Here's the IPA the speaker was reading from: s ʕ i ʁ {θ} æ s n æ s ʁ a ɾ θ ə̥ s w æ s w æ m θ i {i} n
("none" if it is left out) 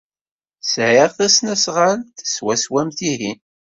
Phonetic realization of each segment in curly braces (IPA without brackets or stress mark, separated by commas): θ, i